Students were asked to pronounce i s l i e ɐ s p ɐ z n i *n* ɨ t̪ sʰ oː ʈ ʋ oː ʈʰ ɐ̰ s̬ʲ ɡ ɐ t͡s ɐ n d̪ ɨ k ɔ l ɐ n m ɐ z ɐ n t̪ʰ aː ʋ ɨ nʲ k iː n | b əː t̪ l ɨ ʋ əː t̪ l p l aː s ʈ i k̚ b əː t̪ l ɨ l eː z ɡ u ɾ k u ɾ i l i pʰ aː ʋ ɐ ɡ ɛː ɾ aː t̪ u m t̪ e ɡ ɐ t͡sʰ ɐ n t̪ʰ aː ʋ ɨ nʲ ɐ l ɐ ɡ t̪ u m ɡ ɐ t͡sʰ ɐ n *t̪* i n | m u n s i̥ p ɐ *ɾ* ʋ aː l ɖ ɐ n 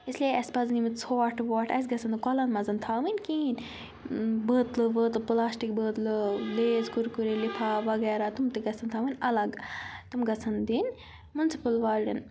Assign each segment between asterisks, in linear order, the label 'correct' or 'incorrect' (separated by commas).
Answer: incorrect, incorrect, incorrect